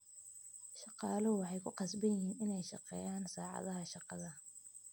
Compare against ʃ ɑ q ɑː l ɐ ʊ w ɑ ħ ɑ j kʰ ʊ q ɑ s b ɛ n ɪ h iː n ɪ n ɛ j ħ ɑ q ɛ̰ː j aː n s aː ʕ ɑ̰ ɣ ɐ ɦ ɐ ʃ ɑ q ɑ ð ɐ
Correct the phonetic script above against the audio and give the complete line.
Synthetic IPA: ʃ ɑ q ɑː l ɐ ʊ w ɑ ħ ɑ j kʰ ʊ q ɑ s b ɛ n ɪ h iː n ɪ n ɛ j ʃ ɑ q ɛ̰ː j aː n s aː ʕ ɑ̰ ð ɐ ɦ ɐ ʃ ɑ q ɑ ð ɐ